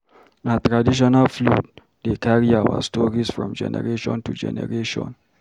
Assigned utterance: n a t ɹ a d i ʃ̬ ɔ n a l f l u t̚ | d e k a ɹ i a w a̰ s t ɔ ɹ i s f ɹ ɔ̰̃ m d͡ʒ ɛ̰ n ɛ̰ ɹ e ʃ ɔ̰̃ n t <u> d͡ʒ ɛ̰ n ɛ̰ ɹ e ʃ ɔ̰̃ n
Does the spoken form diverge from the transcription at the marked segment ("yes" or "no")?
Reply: no